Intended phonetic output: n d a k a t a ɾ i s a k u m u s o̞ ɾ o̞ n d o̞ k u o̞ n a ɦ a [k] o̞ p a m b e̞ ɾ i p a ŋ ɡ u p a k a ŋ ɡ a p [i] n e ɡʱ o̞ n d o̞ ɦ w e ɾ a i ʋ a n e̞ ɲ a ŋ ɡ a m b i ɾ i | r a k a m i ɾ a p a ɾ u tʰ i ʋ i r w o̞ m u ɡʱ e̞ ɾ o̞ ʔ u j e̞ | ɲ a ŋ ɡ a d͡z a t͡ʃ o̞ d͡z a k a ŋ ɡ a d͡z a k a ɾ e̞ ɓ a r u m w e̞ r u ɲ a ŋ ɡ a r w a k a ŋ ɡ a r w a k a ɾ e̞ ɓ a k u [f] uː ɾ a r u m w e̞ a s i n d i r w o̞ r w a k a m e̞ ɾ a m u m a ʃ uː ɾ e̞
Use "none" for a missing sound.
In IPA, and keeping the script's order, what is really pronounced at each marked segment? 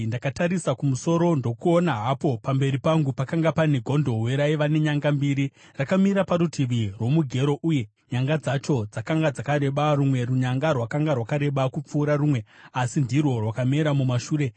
p, a, p͡f

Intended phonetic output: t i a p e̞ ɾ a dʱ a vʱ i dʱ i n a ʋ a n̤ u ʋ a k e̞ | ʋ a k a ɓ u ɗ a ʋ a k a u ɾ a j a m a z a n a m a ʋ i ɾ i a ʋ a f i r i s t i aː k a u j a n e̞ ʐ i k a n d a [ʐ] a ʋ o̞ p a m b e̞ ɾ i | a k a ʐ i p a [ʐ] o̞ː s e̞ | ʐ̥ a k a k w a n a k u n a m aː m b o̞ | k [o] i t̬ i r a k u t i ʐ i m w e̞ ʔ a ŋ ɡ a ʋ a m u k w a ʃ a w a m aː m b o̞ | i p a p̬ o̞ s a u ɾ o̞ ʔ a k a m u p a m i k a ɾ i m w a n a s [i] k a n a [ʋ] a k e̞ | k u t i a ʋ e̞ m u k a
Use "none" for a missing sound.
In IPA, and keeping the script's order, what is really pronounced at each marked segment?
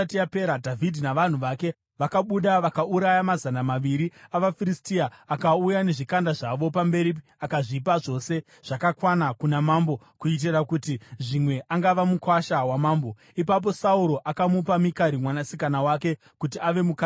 ʐ, ʐ, u, i, w

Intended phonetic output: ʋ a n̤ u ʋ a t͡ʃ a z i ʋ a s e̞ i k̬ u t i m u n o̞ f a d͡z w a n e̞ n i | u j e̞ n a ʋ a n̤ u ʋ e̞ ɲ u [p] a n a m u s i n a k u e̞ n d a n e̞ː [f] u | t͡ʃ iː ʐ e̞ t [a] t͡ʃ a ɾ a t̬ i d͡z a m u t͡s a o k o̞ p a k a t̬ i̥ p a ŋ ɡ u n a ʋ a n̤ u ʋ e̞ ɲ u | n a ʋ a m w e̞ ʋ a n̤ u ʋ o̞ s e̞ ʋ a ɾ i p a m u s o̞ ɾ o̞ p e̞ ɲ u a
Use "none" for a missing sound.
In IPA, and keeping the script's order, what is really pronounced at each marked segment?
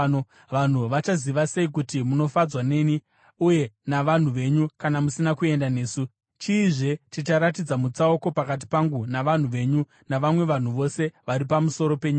k, s, i

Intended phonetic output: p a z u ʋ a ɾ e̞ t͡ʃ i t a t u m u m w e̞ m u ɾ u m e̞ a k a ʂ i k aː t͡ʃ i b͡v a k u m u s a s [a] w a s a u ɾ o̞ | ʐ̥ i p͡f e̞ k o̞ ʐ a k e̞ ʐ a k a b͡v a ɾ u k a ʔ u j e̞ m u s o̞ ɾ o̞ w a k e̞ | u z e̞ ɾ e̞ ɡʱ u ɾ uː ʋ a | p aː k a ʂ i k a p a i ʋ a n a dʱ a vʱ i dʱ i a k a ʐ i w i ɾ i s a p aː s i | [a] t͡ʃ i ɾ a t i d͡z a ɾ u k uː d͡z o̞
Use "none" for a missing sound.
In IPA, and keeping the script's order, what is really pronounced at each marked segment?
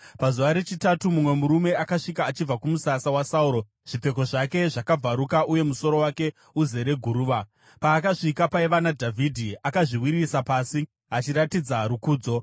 a, a

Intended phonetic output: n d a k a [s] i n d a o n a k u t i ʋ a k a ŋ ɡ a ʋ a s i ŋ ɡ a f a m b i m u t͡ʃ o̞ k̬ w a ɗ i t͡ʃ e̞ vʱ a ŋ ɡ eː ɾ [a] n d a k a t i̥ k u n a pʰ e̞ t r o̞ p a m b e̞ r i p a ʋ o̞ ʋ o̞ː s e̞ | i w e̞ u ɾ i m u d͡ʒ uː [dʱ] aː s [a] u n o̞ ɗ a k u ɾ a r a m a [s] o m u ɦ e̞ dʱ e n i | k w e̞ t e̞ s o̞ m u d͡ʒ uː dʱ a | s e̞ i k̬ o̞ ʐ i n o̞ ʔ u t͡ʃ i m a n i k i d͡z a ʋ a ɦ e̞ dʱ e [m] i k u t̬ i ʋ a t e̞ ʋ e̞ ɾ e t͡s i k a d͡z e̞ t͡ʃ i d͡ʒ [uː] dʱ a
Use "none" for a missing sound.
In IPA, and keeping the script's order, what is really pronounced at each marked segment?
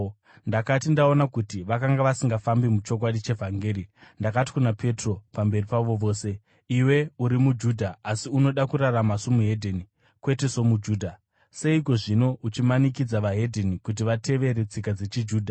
t, i, dʱ, i, s, n, uː

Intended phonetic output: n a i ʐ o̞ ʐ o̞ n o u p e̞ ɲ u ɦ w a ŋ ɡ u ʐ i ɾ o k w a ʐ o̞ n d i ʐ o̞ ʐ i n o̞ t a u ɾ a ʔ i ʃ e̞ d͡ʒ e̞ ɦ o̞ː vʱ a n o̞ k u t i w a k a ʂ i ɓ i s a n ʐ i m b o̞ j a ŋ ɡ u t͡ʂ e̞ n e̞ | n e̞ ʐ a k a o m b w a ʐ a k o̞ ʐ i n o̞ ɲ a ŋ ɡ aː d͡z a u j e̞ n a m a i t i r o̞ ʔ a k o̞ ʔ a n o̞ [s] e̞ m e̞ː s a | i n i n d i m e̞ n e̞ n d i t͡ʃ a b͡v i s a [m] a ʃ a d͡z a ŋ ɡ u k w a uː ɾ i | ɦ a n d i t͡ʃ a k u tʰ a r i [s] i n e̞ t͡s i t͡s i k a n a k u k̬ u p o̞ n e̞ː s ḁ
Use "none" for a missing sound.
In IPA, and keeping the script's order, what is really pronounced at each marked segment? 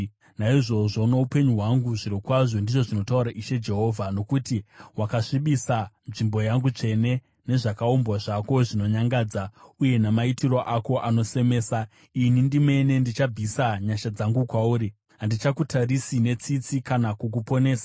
s, ɲ, s

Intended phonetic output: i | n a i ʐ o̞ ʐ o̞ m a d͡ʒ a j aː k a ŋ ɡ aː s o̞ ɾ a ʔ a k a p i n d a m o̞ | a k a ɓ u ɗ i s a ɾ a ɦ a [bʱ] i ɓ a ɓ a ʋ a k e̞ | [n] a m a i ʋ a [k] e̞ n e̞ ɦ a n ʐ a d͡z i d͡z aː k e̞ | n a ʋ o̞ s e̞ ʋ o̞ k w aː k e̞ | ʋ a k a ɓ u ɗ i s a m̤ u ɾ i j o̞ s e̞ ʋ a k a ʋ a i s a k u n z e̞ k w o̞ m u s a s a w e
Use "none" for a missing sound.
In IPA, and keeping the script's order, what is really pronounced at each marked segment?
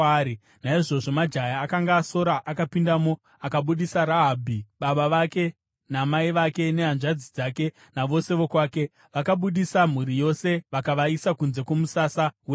bʱ, n, k

